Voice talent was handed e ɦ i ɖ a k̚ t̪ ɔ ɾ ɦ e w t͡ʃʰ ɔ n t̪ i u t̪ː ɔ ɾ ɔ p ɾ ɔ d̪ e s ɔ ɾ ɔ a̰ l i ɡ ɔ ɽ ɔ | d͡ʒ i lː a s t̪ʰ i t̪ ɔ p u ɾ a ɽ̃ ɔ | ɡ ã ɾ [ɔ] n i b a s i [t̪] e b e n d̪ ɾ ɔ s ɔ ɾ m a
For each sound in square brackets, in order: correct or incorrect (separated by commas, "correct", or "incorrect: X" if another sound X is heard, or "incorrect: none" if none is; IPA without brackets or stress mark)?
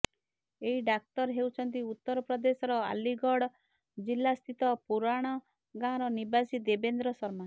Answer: correct, incorrect: d̪